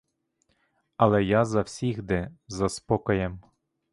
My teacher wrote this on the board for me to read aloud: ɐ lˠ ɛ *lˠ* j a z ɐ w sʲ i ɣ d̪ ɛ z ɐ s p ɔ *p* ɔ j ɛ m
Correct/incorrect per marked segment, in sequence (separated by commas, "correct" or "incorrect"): incorrect, incorrect